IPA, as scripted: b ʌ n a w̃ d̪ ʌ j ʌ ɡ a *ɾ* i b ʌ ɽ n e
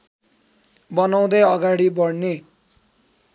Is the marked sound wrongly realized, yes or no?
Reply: yes